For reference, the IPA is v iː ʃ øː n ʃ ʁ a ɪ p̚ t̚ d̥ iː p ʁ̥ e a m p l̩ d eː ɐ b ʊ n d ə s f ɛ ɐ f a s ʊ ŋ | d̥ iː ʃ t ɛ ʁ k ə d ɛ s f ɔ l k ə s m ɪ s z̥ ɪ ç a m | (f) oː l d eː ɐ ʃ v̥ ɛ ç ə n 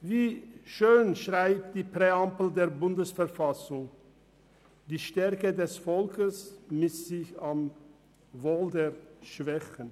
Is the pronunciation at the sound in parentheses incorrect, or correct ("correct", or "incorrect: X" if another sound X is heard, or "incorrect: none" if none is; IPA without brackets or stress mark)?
incorrect: v